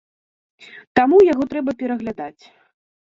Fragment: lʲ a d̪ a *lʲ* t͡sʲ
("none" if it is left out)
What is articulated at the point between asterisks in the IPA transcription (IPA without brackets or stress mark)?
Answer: none